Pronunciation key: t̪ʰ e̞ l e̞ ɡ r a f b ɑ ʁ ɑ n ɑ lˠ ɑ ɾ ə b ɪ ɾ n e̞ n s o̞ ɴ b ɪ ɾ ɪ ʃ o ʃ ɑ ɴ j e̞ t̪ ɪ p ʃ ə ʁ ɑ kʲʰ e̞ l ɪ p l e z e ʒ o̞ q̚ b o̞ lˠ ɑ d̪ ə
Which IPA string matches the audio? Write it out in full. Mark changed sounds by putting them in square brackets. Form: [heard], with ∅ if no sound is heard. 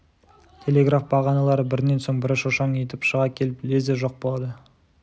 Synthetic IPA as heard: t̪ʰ e̞ l e̞ ɡ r a f b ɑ ʁ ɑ n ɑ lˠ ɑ ɾ ə b ɪ ɾ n e̞ n s o̞ ɴ b ɪ ɾ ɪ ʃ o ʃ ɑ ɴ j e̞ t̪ ɪ p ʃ ə ʁ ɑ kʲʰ e̞ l ɪ p l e z e ʒ o̞ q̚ b o̞ lˠ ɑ d̪ ə